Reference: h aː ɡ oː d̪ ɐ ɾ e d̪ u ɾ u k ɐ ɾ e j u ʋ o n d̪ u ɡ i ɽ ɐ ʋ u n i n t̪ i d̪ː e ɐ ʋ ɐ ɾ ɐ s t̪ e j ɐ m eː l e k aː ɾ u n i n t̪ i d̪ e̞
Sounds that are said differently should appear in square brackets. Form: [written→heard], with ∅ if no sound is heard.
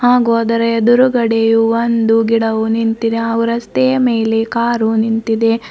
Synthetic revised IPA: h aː ɡ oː d̪ ɐ ɾ e d̪ u ɾ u [k→ɡ] ɐ [ɾ→ɽ] e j u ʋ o n d̪ u ɡ i ɽ ɐ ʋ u n i n t̪ i [d̪ː→d̪] e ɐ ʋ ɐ ɾ ɐ s t̪ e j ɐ m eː l e k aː ɾ u n i n t̪ i d̪ e̞